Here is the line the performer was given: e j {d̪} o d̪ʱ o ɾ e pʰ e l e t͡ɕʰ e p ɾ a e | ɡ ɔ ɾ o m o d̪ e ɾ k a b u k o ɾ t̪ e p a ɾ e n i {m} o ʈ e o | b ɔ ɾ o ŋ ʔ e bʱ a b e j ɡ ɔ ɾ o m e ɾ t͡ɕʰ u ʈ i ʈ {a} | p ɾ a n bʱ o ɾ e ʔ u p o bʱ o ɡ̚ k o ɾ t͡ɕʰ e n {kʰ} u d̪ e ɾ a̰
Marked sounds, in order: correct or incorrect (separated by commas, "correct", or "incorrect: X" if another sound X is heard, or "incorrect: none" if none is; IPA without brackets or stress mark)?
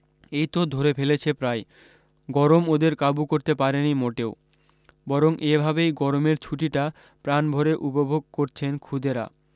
incorrect: t̪, correct, correct, correct